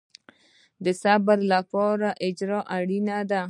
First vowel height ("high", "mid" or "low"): mid